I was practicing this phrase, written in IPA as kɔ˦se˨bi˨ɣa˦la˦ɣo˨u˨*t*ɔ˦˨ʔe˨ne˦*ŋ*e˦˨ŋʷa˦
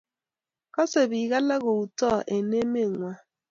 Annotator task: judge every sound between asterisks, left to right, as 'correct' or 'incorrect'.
correct, incorrect

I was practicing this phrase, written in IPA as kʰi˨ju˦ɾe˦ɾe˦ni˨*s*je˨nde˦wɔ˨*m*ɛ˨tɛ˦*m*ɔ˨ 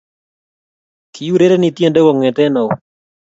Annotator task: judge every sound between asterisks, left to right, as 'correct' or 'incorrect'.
incorrect, incorrect, incorrect

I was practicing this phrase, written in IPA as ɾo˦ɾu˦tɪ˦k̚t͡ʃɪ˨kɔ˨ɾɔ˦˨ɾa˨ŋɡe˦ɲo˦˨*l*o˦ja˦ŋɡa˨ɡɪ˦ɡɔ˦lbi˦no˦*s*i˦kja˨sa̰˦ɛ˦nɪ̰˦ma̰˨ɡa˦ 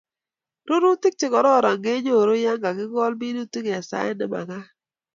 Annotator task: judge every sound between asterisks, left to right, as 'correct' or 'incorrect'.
incorrect, incorrect

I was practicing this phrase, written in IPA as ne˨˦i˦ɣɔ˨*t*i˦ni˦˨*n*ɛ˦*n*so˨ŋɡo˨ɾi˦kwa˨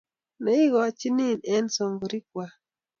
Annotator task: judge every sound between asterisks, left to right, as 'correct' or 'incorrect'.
incorrect, correct, correct

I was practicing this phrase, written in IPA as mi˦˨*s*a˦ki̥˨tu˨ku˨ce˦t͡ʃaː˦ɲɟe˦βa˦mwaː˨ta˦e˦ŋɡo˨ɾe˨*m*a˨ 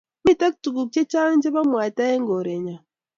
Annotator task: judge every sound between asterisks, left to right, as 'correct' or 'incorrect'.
incorrect, incorrect

